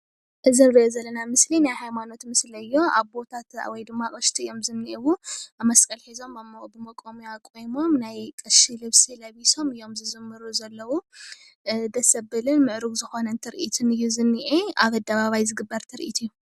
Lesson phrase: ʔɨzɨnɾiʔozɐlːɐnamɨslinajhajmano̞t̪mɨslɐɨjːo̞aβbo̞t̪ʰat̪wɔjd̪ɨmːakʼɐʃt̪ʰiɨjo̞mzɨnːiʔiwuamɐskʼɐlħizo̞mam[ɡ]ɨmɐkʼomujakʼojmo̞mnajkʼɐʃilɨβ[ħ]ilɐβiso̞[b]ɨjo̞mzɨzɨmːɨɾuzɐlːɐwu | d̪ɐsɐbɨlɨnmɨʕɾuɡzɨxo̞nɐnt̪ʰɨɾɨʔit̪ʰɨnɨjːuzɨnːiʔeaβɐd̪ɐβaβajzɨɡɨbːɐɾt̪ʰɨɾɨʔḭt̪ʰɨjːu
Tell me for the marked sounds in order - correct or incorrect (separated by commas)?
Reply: incorrect, incorrect, incorrect